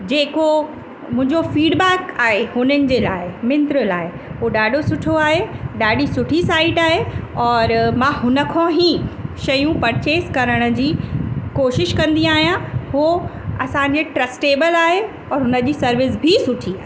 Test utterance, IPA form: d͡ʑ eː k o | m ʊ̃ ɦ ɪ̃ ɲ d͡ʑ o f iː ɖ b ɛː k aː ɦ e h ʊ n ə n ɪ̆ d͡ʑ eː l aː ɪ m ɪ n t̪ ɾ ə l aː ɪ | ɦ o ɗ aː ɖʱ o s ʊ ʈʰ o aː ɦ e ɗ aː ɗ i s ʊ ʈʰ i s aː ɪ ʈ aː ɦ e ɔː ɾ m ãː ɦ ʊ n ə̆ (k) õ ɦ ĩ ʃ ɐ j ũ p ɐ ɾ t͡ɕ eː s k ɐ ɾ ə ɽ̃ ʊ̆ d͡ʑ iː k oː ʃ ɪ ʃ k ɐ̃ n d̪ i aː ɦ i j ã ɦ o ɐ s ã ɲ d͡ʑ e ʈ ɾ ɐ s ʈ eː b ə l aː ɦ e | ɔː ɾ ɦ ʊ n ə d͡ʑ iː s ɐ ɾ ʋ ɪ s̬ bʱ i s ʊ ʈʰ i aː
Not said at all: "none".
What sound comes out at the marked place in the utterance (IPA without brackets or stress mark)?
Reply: kʰ